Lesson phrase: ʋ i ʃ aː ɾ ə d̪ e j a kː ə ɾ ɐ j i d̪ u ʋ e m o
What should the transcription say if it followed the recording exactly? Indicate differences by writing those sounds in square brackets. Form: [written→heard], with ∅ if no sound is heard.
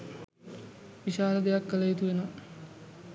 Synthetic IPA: ʋ i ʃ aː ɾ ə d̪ e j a kː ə [ɾ→l] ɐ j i [d̪→t̪] u ʋ e [m→n] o